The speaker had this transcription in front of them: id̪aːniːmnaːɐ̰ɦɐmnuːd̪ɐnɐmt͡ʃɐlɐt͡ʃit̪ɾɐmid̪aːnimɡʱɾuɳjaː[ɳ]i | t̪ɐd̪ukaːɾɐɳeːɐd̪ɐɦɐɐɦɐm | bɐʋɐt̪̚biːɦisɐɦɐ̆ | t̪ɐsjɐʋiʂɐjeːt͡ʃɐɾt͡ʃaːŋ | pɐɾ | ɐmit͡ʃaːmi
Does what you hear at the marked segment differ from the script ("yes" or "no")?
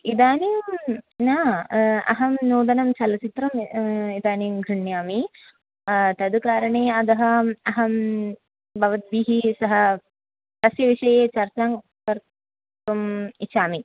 yes